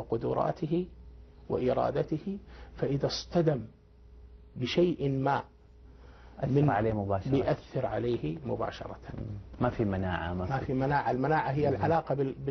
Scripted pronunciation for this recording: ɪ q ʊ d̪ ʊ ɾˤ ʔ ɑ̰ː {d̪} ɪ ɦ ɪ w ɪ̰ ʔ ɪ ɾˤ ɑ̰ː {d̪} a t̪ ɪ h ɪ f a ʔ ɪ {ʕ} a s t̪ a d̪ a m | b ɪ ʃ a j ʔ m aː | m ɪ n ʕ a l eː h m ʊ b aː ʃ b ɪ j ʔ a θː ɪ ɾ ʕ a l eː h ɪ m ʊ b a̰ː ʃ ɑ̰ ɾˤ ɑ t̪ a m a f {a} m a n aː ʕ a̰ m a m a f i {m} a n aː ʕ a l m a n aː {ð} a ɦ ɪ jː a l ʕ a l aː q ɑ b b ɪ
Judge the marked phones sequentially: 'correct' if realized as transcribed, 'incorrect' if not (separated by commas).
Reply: incorrect, correct, incorrect, incorrect, correct, incorrect